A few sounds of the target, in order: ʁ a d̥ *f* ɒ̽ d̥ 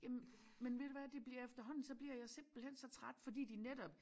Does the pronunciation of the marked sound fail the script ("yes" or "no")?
no